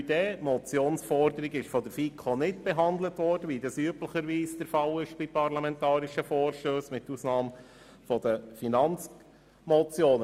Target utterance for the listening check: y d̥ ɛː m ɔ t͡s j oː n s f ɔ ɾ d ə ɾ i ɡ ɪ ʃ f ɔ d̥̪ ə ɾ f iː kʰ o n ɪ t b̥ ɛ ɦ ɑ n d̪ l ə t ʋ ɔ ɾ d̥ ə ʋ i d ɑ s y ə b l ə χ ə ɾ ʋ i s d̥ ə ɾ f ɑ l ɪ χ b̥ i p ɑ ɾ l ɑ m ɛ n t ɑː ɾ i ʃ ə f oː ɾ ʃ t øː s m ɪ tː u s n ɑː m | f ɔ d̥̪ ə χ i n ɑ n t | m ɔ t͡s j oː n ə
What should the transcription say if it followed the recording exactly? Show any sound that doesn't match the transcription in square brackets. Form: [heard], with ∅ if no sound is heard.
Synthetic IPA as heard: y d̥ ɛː m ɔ t͡s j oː n s f ɔ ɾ d ə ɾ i ɡ ɪ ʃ f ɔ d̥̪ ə ɾ f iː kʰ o n ɪ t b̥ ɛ ɦ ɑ n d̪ l ə t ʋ ɔ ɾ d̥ ə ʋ i d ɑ s y ə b l ə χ ə ɾ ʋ [iː] s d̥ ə ɾ f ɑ l ɪ [ʃ] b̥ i p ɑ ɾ l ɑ m ɛ n t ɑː ɾ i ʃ ə f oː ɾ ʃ t øː s m ɪ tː u s n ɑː m | f ɔ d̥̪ ə [f] i n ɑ n [t͡s] | m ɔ t͡s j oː n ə